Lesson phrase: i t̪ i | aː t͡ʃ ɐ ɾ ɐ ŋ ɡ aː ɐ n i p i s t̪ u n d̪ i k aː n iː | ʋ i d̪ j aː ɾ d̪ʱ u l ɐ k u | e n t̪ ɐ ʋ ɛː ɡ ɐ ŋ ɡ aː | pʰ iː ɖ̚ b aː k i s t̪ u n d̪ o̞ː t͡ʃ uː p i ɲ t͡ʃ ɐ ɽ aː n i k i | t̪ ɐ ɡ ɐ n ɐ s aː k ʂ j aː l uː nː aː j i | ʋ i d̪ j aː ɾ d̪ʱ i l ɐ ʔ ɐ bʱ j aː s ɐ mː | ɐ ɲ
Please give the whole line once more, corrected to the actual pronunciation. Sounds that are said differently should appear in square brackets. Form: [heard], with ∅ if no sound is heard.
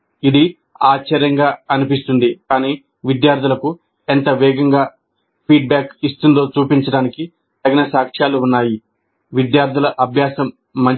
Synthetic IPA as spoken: i [d̪] i | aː t͡ʃ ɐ ɾ ɐ ŋ ɡ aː ɐ n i p i s t̪ u n d̪ i k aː n iː | ʋ i d̪ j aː ɾ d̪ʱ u l ɐ k u | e n t̪ ɐ ʋ ɛː ɡ ɐ ŋ ɡ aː | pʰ iː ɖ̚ b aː k i s t̪ u n d̪ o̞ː t͡ʃ uː p i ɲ t͡ʃ ɐ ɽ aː n i k i | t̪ ɐ ɡ ɐ n ɐ s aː k ʂ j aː l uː nː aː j i | ʋ i d̪ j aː ɾ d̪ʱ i l ɐ ʔ ɐ bʱ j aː s ɐ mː | ɐ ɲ

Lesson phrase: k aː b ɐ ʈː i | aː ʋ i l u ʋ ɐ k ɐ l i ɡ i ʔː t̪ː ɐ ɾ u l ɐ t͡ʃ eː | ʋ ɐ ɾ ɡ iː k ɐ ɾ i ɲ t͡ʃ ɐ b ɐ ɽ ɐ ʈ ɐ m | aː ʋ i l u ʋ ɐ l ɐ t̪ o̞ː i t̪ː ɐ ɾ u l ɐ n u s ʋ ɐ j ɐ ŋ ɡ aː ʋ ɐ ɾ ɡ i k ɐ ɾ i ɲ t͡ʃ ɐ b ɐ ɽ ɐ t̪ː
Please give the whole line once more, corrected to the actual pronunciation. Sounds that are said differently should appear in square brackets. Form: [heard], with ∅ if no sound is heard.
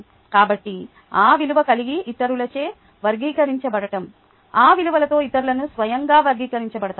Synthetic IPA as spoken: k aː b ɐ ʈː i | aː ʋ i l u ʋ ɐ k ɐ l i ɡ i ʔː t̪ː ɐ ɾ u l ɐ t͡ʃ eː | ʋ ɐ ɾ ɡ iː k ɐ ɾ i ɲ t͡ʃ ɐ b ɐ ɽ ɐ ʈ ɐ m | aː ʋ i l u ʋ ɐ l ɐ t̪ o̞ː i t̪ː ɐ ɾ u l ɐ n u s ʋ ɐ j ɐ ŋ ɡ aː ʋ ɐ ɾ ɡ [iː] k ɐ ɾ i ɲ t͡ʃ ɐ b ɐ ɽ ɐ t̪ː

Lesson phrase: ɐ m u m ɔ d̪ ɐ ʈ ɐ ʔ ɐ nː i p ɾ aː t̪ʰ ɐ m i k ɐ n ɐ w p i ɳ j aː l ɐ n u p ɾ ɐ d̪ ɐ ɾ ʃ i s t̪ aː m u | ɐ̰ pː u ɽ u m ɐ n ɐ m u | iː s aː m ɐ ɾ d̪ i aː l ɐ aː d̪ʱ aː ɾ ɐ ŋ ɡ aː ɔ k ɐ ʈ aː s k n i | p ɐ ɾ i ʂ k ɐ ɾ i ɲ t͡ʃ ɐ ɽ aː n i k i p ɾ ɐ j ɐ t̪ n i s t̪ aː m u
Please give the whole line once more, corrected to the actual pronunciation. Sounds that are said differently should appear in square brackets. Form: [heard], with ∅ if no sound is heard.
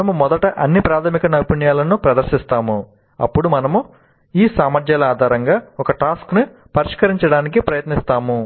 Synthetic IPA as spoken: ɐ m u m ɔ d̪ ɐ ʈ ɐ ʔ ɐ nː i p ɾ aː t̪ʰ ɐ m i k ɐ n ɐ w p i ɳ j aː l ɐ n u p ɾ ɐ d̪ ɐ ɾ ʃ i s t̪ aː m u | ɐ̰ pː u ɽ u m ɐ n ɐ m u | iː s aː m ɐ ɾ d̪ [j] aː l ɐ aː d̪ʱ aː ɾ ɐ ŋ ɡ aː ɔ k ɐ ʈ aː s k n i | p ɐ ɾ i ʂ k ɐ ɾ i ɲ t͡ʃ ɐ ɽ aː n i k i p ɾ ɐ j ɐ t̪ n i s t̪ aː m u

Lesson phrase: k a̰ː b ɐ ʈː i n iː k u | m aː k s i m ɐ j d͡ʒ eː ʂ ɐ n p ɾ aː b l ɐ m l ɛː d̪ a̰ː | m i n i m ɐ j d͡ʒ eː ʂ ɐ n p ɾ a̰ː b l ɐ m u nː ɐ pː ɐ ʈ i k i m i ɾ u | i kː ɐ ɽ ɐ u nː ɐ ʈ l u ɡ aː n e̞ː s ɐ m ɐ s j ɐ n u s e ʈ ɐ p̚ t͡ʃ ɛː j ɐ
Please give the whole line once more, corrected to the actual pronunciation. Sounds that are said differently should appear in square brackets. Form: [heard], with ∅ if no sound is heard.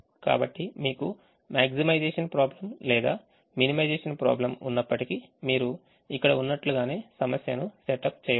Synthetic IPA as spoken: k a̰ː b ɐ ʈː i [m] iː k u | m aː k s i m ɐ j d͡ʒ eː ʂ ɐ n p ɾ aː b l ɐ m l ɛː d̪ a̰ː | m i n i m ɐ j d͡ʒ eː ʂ ɐ n p ɾ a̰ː b l ɐ m u nː ɐ pː ɐ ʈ i k i m [iː] ɾ u | i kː ɐ ɽ ɐ u nː ɐ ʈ l u ɡ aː n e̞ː s ɐ m ɐ s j ɐ n u s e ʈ ɐ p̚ t͡ʃ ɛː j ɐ

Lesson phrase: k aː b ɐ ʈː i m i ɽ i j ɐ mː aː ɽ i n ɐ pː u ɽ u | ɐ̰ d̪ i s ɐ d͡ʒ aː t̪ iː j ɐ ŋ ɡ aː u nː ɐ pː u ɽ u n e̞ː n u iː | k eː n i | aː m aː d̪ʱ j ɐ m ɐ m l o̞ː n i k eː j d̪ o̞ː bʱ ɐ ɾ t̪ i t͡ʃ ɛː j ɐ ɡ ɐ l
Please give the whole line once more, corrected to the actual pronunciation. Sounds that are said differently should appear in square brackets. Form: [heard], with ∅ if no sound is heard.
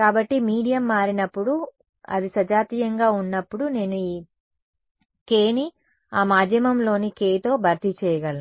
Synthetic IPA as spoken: k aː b ɐ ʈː i m [iː] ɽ i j ɐ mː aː [ɾ] i n ɐ pː u ɽ u | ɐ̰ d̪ i s ɐ d͡ʒ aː t̪ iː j ɐ ŋ ɡ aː u nː ɐ pː u ɽ u n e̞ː n u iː | k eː n i | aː m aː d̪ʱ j ɐ m ɐ m l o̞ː n i k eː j [t̪] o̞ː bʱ ɐ ɾ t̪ i t͡ʃ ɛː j ɐ ɡ ɐ l

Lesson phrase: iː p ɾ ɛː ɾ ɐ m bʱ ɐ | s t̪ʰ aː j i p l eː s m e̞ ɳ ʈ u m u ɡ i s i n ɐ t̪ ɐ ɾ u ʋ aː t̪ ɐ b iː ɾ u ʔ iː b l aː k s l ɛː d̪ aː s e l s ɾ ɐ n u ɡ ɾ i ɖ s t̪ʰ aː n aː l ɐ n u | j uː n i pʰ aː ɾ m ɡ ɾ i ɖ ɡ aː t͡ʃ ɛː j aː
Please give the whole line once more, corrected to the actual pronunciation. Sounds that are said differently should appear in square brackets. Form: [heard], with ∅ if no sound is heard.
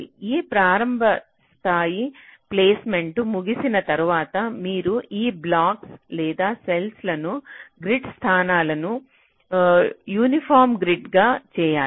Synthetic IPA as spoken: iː p ɾ [aː] ɾ ɐ m bʱ ɐ | s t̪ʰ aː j i p l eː s m e̞ ɳ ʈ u m u ɡ i s i n ɐ t̪ ɐ ɾ u ʋ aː t̪ ɐ [m] iː ɾ u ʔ iː b l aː k s l ɛː d̪ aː s e l s [l] ɐ n u ɡ ɾ i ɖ s t̪ʰ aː n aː l ɐ n u | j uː n i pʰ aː ɾ m ɡ ɾ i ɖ ɡ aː t͡ʃ ɛː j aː

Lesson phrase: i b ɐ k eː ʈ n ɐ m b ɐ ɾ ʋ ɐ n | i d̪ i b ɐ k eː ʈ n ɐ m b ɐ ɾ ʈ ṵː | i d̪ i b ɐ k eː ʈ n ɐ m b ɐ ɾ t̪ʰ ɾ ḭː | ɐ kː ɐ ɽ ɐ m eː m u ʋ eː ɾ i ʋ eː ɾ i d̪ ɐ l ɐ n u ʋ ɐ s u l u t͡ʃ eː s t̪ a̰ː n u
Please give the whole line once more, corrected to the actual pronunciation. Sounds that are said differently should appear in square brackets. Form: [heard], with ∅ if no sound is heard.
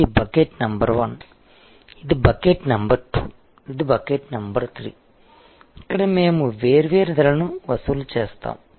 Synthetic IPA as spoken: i b ɐ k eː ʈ n ɐ m b ɐ ɾ ʋ ɐ n | i d̪ i b ɐ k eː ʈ n ɐ m b ɐ ɾ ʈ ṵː | i d̪ i b ɐ k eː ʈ n ɐ m b ɐ ɾ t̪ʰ ɾ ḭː | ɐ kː ɐ ɽ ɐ m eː m u ʋ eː ɾ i ʋ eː ɾ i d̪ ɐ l ɐ n u ʋ ɐ s u l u t͡ʃ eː s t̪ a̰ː [m] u

